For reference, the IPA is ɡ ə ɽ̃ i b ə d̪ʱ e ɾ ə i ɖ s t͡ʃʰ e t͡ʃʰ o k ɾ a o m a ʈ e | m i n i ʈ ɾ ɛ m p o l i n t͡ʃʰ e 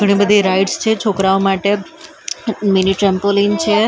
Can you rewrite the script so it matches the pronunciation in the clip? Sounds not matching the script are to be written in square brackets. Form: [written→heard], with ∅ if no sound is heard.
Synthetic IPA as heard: ɡ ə ɽ̃ i b ə d̪ʱ [e→i] ɾ [ə→a] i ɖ s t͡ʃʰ e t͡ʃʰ o k ɾ a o m a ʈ e | m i n i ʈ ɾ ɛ m p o l i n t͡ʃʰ e